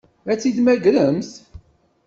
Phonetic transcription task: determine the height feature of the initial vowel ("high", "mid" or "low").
low